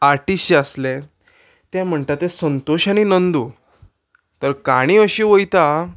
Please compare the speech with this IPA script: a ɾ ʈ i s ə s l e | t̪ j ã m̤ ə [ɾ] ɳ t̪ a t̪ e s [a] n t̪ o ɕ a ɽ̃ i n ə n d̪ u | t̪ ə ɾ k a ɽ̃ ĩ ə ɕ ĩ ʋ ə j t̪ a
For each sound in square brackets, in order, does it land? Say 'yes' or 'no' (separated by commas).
no, no